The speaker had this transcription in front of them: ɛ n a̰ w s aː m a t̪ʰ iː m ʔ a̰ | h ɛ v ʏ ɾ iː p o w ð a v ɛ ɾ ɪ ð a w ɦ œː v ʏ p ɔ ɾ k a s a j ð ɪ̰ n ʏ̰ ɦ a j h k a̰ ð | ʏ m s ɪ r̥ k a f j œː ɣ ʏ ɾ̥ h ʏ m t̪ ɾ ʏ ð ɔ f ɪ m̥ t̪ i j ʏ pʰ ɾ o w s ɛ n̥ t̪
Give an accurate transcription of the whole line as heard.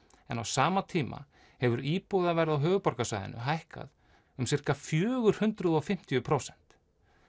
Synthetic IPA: ɛ n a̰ w s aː m a t̪ʰ iː m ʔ a̰ | h ɛ v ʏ ɾ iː p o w ð a v ɛ ɾ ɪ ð a w ɦ œː ɣ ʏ p ɔ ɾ k a s a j ð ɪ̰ n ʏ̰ ɦ a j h k a̰ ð | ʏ m s ɪ r̥ k a f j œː ɣ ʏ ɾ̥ h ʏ n t̪ ɾ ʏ ð ɔ f ɪ m̥ t̪ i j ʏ pʰ ɾ o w s ɛ n̥ t̪